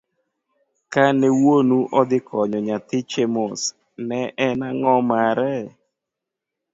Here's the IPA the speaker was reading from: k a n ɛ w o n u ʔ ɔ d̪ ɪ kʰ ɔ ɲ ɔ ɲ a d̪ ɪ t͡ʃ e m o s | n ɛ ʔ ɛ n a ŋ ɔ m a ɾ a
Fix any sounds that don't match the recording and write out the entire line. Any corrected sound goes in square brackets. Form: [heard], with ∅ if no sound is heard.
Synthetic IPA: k a n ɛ w o n u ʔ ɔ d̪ ɪ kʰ ɔ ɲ ɔ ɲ a [t̪] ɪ t͡ʃ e m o s | n ɛ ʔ ɛ n a ŋ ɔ m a ɾ [ɛ]